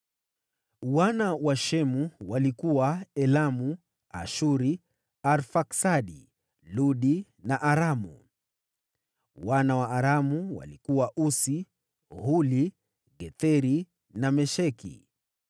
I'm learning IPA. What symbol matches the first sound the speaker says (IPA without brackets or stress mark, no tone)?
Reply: w